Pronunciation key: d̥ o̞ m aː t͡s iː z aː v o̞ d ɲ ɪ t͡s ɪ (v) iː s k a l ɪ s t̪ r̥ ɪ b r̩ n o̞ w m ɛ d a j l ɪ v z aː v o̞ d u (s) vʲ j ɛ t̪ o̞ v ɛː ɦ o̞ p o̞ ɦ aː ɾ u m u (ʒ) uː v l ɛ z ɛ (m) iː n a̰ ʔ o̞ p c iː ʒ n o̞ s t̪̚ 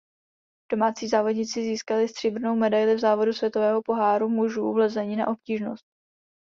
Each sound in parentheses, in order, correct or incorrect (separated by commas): incorrect, correct, correct, incorrect